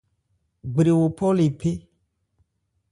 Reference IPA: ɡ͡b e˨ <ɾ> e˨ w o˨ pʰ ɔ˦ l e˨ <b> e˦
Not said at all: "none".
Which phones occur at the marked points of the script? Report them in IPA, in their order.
ɾ, p

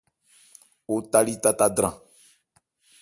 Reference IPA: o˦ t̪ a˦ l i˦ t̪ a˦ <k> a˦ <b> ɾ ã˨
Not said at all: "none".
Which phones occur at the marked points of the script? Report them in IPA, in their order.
t, d

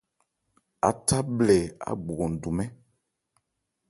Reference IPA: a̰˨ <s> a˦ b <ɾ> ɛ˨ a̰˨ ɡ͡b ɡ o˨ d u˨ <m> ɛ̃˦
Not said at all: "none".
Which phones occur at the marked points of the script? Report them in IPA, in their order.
t, l, m

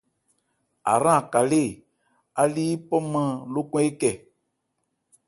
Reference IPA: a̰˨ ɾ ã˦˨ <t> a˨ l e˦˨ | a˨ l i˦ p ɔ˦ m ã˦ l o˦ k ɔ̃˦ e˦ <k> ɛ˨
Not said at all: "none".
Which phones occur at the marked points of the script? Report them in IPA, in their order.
k, k

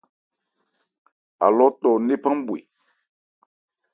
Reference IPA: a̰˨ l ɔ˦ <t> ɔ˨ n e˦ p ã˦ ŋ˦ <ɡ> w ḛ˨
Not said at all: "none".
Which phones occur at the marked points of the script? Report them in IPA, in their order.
t, b

